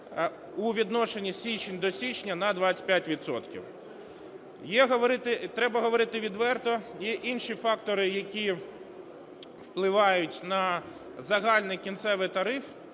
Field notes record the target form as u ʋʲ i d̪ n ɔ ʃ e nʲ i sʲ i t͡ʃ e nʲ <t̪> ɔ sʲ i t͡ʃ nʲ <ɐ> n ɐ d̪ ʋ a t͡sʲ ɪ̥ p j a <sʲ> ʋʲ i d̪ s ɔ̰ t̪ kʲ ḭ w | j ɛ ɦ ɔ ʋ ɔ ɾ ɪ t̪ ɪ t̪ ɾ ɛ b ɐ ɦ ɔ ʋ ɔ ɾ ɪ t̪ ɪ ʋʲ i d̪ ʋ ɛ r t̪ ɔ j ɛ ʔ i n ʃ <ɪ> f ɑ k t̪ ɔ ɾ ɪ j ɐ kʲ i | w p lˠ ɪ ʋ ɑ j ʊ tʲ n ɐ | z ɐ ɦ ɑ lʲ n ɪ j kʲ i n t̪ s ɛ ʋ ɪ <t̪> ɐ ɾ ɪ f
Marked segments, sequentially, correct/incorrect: incorrect, correct, incorrect, incorrect, correct

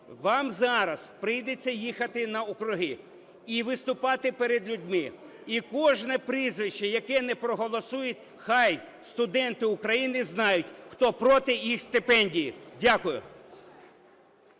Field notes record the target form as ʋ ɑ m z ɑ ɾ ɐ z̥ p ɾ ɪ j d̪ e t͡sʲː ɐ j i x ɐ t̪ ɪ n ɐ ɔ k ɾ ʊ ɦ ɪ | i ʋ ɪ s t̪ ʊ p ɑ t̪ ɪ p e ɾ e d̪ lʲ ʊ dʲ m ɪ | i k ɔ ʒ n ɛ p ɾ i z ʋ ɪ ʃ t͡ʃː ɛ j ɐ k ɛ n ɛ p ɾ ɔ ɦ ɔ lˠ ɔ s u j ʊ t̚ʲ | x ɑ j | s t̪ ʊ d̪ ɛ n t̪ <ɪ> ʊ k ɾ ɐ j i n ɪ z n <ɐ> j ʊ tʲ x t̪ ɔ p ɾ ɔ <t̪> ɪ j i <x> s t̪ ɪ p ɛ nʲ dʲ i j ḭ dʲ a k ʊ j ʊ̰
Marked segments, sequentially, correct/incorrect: correct, incorrect, correct, correct

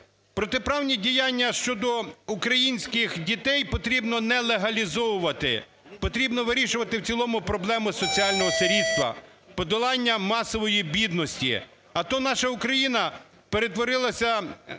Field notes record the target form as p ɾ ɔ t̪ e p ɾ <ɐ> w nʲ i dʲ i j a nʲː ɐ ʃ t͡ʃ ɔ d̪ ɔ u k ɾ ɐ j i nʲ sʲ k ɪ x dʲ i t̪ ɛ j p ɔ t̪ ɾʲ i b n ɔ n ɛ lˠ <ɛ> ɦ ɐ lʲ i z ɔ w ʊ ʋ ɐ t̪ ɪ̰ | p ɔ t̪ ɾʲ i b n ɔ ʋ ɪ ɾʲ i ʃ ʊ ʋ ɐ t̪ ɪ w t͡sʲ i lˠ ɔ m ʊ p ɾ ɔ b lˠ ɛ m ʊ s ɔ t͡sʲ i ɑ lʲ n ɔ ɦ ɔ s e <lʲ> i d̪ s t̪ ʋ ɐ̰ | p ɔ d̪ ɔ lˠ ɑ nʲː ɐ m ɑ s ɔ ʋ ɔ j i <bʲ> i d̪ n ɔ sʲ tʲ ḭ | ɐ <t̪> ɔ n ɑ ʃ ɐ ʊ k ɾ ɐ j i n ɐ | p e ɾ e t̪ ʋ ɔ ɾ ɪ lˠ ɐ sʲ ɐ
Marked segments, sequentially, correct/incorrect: incorrect, incorrect, incorrect, correct, correct

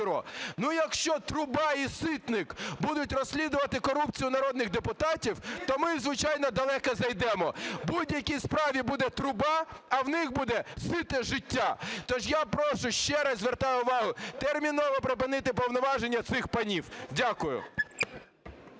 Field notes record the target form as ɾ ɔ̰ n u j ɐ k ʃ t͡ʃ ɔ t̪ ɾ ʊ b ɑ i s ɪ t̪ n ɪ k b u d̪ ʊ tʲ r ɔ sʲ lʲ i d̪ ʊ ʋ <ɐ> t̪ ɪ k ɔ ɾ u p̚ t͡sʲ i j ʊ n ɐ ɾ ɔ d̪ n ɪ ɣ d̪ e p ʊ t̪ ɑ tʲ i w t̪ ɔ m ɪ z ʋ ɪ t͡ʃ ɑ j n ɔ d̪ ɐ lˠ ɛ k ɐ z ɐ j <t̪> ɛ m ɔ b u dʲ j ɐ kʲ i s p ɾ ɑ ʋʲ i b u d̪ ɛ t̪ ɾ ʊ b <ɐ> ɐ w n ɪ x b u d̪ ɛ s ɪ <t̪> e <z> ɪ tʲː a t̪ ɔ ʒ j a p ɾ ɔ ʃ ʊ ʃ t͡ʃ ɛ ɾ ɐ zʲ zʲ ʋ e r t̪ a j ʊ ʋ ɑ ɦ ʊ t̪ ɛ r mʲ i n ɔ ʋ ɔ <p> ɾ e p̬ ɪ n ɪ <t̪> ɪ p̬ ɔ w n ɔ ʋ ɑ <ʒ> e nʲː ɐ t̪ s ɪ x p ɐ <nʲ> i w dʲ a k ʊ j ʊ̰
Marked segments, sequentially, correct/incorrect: correct, incorrect, incorrect, correct, incorrect, correct, correct, correct, correct

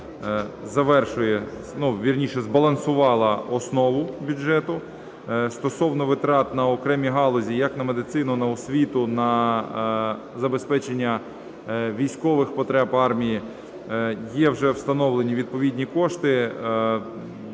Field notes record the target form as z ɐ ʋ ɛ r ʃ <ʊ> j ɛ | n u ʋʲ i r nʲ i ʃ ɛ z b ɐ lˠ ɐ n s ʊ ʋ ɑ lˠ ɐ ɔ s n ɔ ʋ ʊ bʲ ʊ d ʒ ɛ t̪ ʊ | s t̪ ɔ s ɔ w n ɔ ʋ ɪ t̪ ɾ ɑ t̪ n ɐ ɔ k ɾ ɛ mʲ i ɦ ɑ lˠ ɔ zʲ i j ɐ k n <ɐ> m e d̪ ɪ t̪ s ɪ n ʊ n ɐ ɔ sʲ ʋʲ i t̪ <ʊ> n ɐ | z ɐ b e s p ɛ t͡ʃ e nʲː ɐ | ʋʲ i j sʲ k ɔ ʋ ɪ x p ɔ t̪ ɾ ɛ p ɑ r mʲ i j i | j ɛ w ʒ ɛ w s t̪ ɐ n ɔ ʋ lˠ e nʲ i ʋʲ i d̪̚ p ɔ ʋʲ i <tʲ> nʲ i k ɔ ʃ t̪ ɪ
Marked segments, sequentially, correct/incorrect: correct, correct, correct, incorrect

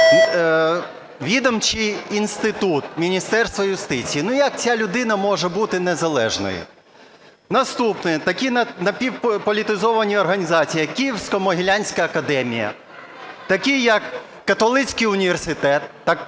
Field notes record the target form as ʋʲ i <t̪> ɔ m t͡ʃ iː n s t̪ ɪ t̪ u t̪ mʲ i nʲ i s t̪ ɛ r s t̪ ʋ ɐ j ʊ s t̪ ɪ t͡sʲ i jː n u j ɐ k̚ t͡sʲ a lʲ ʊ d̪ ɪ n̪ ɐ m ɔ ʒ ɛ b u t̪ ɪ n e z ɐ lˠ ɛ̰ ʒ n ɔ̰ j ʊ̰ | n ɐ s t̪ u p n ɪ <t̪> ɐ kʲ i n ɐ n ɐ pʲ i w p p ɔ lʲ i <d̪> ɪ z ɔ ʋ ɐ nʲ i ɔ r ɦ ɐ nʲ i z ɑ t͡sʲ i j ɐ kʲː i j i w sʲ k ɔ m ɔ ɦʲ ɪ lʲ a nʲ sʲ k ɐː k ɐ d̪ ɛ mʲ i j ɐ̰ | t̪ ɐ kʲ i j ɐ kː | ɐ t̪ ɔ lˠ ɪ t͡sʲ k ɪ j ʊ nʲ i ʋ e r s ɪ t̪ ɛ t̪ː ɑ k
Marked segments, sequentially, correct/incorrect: incorrect, correct, incorrect

